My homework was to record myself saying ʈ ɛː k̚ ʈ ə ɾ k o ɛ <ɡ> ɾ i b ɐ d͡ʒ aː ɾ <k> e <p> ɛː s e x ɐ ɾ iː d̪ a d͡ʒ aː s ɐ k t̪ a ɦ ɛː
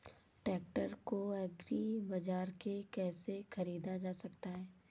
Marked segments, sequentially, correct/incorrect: correct, correct, incorrect

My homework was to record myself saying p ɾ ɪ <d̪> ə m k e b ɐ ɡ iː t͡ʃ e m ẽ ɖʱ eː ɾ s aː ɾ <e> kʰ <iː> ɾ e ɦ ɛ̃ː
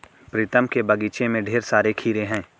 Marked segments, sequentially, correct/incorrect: incorrect, correct, correct

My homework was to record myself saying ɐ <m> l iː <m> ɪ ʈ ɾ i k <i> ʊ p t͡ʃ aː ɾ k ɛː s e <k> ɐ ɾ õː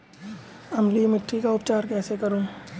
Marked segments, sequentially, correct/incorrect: correct, correct, incorrect, correct

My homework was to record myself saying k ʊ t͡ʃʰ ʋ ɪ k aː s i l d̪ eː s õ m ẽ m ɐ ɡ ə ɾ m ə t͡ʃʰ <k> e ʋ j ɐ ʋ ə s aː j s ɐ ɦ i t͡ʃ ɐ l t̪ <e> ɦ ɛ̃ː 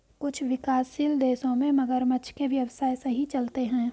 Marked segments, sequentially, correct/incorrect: correct, correct

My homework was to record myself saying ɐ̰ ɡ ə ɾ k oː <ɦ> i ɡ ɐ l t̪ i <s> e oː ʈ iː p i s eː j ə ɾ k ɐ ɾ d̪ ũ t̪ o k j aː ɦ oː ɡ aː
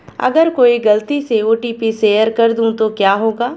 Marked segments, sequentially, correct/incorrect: incorrect, correct

